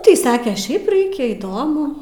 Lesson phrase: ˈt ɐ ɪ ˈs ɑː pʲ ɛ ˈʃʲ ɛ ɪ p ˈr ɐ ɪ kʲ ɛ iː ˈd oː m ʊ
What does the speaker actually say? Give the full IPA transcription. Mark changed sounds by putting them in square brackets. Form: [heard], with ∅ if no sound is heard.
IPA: ˈt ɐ ɪ ˈs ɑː [kʲ] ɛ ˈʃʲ ɛ ɪ p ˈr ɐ ɪ kʲ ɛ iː ˈd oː m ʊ